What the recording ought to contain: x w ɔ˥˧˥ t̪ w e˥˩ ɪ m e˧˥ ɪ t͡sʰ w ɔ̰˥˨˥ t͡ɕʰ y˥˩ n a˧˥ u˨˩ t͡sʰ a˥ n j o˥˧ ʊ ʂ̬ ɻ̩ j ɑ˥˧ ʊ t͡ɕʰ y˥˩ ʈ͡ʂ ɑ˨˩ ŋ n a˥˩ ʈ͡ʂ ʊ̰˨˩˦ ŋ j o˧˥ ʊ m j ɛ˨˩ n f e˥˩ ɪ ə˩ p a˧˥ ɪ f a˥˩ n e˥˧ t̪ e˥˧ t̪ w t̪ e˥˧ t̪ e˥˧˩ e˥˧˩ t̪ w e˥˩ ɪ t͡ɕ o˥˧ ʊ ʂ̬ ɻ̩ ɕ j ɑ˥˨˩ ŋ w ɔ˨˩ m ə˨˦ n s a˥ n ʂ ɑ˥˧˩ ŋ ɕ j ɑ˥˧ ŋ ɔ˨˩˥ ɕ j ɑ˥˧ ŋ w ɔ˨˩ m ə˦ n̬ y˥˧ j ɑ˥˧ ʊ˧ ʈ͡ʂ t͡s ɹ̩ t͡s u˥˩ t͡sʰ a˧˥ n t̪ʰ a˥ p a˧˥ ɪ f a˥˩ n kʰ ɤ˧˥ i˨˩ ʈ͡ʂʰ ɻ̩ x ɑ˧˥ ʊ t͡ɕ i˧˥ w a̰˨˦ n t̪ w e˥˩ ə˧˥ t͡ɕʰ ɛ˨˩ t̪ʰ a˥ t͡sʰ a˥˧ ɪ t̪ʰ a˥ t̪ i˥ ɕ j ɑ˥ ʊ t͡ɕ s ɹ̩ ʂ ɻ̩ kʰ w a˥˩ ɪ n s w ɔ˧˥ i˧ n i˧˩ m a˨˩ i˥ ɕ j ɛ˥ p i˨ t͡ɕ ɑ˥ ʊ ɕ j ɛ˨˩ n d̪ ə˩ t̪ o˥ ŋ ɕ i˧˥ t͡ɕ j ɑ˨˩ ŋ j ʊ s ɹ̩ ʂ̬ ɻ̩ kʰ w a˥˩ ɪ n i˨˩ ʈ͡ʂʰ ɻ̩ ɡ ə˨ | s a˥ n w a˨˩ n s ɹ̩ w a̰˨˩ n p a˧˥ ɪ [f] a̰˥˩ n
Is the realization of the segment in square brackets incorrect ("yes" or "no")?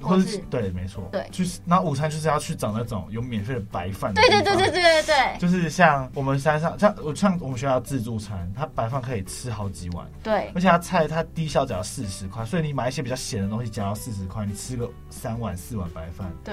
no